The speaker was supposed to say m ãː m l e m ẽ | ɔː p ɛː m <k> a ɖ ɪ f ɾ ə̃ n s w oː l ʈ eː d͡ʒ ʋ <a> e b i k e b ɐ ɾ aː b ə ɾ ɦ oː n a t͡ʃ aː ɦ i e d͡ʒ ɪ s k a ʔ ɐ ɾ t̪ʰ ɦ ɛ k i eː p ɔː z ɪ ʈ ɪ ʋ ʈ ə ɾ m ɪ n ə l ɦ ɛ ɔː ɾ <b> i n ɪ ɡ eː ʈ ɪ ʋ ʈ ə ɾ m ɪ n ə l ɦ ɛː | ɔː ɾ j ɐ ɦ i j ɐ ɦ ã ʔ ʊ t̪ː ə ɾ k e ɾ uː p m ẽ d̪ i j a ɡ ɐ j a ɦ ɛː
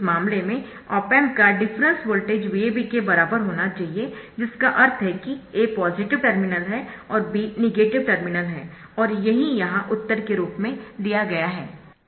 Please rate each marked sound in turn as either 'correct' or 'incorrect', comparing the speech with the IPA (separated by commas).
correct, incorrect, correct